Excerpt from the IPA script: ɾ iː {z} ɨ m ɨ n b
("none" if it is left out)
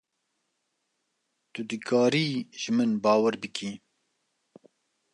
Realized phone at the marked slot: ʒ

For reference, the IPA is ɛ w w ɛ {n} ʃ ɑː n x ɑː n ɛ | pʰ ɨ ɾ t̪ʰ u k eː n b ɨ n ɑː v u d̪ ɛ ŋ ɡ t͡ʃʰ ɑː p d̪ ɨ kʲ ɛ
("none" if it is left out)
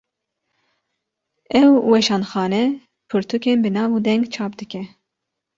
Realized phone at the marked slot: none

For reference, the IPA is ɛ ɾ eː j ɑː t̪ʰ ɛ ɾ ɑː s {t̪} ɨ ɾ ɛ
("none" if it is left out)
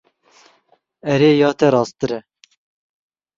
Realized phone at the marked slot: t̪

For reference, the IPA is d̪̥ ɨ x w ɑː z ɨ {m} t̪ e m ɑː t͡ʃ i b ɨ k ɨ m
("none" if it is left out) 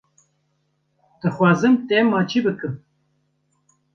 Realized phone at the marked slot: m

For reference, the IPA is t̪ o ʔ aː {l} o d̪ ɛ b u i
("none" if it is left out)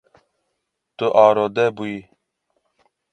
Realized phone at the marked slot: ɾ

